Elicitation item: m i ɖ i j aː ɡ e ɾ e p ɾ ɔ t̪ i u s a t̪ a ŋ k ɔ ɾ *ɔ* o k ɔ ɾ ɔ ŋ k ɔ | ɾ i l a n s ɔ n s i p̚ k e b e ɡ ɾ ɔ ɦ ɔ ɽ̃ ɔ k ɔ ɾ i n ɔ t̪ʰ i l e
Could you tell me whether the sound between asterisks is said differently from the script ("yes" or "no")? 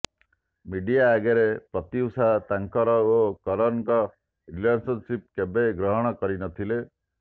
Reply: no